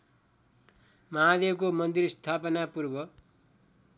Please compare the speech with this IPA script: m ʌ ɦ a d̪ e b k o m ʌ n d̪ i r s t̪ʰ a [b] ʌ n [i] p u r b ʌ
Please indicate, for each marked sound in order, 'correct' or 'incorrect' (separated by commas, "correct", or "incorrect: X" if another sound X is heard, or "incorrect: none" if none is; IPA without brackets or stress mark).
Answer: incorrect: p, incorrect: a